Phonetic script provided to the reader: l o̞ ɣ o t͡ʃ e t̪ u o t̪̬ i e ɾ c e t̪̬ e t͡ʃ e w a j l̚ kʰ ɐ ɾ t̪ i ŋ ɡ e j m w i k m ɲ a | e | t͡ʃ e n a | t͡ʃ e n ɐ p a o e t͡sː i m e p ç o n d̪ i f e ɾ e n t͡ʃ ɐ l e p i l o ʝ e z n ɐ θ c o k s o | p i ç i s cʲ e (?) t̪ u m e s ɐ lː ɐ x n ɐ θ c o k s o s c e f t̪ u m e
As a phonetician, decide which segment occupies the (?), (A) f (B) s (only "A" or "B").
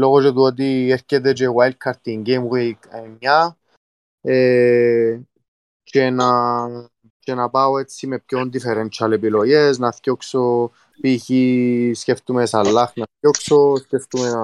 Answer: A